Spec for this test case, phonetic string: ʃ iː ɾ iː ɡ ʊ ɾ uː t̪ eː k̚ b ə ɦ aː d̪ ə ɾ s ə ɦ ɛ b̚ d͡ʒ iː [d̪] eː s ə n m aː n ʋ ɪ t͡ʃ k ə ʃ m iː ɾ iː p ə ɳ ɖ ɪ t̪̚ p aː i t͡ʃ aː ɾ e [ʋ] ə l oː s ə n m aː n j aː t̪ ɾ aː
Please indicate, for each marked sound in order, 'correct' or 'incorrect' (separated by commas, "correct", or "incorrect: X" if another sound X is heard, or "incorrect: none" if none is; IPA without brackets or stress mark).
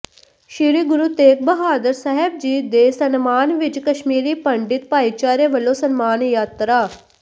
correct, correct